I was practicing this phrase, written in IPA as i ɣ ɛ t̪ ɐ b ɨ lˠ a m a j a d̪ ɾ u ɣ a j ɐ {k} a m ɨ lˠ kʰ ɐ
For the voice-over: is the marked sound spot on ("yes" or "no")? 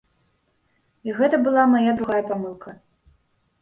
no